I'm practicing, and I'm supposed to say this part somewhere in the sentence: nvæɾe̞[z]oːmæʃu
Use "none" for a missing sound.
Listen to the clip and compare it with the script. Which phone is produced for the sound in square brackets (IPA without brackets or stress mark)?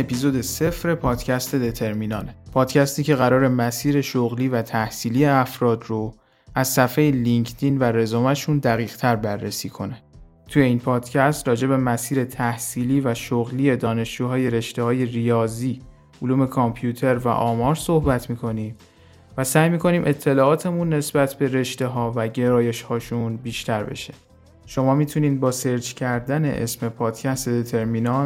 z